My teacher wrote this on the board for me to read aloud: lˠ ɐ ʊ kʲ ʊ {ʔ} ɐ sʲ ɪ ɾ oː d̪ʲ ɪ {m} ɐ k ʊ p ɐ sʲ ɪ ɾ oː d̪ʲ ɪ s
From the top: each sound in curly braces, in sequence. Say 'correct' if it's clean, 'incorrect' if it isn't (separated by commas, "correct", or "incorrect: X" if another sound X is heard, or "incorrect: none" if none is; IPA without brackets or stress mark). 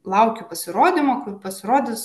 incorrect: p, correct